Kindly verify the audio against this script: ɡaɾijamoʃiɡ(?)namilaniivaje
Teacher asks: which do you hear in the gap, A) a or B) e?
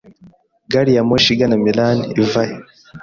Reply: A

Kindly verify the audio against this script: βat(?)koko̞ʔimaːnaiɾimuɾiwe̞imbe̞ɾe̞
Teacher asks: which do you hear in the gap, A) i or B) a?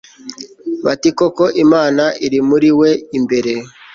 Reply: A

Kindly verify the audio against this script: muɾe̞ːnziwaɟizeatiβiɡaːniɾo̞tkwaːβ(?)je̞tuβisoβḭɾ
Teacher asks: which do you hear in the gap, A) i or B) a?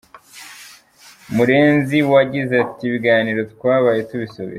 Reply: B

